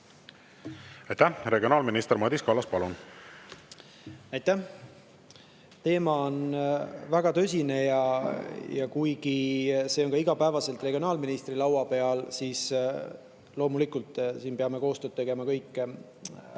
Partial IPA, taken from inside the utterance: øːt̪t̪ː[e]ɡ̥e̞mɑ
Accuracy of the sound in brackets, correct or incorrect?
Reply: correct